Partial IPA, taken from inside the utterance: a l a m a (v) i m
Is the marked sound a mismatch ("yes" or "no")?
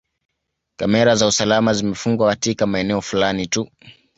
yes